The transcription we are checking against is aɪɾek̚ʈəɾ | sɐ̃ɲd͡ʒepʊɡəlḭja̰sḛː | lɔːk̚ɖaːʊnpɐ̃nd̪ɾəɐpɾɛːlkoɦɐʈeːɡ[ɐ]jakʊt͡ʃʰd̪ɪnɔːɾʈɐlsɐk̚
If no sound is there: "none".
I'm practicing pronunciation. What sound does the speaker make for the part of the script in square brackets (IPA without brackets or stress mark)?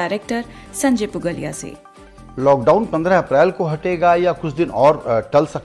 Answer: a